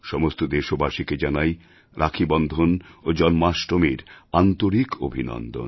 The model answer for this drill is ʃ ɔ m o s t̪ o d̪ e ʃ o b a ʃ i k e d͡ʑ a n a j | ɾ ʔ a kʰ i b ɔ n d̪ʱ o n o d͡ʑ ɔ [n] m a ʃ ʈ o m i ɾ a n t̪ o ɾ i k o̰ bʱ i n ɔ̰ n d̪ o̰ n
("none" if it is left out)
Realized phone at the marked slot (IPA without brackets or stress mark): n